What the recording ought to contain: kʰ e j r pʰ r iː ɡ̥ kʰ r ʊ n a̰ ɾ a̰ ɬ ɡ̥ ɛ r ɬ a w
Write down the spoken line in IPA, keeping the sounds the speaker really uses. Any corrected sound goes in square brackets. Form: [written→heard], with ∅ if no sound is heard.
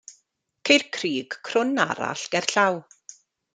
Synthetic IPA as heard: kʰ e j r [pʰ→kʰ] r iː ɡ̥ kʰ r ʊ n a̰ ɾ a̰ ɬ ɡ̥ ɛ r ɬ a w